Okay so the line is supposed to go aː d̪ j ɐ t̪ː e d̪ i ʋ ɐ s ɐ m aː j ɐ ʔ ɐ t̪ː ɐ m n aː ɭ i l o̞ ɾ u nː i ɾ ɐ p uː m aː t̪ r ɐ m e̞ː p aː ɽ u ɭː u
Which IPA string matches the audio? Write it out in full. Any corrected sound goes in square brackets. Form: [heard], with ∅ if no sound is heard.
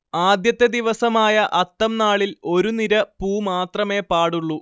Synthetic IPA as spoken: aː d̪ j ɐ t̪ː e d̪ i ʋ ɐ s ɐ m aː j ɐ ʔ ɐ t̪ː ɐ m n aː ɭ i l o̞ ɾ u [n] i ɾ ɐ p uː m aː t̪ r ɐ m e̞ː p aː ɽ u ɭː u

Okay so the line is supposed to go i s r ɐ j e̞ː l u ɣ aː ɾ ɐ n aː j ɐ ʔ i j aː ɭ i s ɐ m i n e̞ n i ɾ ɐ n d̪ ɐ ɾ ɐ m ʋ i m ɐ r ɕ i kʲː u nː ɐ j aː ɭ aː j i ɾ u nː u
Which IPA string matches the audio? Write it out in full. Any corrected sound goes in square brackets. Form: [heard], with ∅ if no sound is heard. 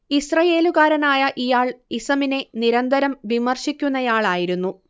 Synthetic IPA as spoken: i s r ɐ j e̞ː l u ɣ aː ɾ ɐ n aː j ɐ ʔ i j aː ɭ i s ɐ m i n e̞ n i ɾ ɐ n d̪ ɐ ɾ ɐ m ʋ i m ɐ r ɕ i kʲː u nː ɐ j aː ɭ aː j i ɾ u nː u

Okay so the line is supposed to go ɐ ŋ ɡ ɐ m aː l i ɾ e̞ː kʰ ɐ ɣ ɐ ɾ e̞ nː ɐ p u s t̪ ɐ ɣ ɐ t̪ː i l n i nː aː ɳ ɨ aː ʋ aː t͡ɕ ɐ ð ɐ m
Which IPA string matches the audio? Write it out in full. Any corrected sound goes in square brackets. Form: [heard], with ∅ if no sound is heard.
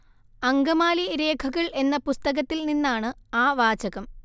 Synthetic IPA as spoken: ɐ ŋ ɡ ɐ m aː l i ɾ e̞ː kʰ ɐ ɣ ɐ [ɭ] e̞ nː ɐ p u s t̪ ɐ ɣ ɐ t̪ː i l n i nː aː ɳ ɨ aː ʋ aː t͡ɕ ɐ [ɣ] ɐ m

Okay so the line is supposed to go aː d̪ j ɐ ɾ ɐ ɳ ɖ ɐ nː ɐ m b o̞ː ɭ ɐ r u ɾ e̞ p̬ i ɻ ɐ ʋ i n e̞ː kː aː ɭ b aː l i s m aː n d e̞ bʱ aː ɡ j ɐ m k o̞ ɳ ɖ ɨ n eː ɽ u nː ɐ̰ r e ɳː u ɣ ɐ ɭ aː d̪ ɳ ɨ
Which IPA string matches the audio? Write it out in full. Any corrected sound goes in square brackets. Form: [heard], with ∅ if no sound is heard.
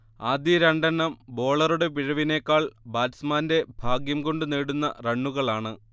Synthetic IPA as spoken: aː d̪ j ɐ ɾ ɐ ɳ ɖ ɐ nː ɐ m b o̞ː ɭ ɐ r u [ɽ] e̞ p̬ i ɻ ɐ ʋ i n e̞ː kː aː ɭ b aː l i s m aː n d e̞ bʱ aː ɡ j ɐ m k o̞ ɳ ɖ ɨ n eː ɽ u nː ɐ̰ r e ɳː u ɣ ɐ ɭ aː [∅] ɳ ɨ

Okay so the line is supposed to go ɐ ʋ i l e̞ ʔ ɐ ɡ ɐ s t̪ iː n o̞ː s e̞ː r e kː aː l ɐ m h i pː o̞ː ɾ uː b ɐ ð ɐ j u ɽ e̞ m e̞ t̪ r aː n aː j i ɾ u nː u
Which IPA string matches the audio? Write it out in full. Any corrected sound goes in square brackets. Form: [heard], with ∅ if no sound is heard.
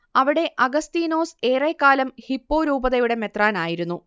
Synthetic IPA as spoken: ɐ ʋ i [ɽ] e̞ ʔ ɐ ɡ ɐ s t̪ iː n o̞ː s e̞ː r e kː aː l ɐ m h i pː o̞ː ɾ uː b ɐ ð ɐ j u ɽ e̞ m e̞ t̪ r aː n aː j i ɾ u nː u

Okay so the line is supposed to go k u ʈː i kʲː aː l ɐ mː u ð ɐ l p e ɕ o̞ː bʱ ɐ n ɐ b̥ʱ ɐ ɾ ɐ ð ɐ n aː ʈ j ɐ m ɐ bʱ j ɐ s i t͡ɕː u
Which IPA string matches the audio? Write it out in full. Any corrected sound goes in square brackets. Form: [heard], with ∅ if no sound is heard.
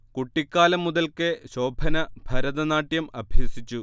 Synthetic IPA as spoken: k u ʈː i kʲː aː l ɐ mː u ð ɐ l [k] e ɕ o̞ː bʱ ɐ n ɐ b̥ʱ ɐ ɾ ɐ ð ɐ n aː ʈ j ɐ m ɐ bʱ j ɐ s i t͡ɕː u

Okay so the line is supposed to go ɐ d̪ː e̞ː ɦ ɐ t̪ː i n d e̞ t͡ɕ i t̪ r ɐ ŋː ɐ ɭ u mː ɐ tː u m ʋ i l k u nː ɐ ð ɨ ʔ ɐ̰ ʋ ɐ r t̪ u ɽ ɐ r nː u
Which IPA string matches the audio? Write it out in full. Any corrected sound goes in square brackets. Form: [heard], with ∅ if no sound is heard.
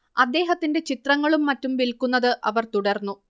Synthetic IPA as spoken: ɐ d̪ː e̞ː ɦ ɐ t̪ː i n d e̞ t͡ɕ i t̪ r ɐ ŋː ɐ ɭ u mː ɐ tː u m ʋ i l k u nː ɐ ð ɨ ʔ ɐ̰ ʋ ɐ r t̪ u ɽ ɐ r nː u

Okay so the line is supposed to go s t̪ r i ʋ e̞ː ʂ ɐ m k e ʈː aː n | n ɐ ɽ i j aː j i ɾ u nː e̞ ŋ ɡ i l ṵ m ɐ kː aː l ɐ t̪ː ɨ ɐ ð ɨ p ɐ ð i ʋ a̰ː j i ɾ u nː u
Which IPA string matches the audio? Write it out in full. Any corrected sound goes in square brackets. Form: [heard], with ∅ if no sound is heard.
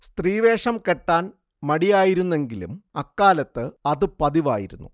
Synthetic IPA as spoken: s t̪ r [iː] ʋ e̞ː ʂ ɐ m k e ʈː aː n | [m] ɐ ɽ i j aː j i ɾ u nː e̞ ŋ ɡ i l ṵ m ɐ kː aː l ɐ t̪ː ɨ ɐ ð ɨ p ɐ ð i ʋ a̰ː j i ɾ u nː u

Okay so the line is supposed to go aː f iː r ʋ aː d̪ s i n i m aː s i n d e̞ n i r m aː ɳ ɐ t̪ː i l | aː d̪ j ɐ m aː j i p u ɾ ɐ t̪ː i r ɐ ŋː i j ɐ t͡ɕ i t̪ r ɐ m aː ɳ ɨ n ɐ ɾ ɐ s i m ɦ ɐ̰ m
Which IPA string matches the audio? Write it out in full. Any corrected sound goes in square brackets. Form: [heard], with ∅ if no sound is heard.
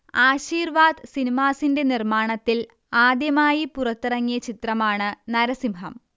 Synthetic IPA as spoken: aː [ɕ] iː r ʋ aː d̪ s i n i m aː s i n d e̞ n i r m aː ɳ ɐ t̪ː i l | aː d̪ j ɐ m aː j i p u [r] ɐ t̪ː i r ɐ ŋː i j ɐ t͡ɕ i t̪ r ɐ m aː ɳ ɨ n ɐ ɾ ɐ s i m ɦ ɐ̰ m

